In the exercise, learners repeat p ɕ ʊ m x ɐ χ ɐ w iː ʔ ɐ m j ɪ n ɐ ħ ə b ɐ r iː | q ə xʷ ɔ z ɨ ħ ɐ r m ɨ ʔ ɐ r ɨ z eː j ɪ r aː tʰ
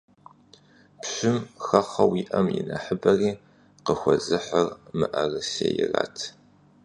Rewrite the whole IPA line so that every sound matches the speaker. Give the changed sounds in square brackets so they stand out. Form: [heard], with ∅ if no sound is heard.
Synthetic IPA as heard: p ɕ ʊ m x ɐ χ ɐ w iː ʔ ɐ m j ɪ n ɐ ħ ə b ɐ r iː | q ə xʷ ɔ z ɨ ħ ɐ r m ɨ ʔ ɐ r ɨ [s] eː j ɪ r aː tʰ